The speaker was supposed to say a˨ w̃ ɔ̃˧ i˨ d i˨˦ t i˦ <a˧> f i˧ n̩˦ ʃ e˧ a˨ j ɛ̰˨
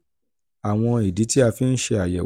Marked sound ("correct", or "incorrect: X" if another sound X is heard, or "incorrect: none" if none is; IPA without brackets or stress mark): correct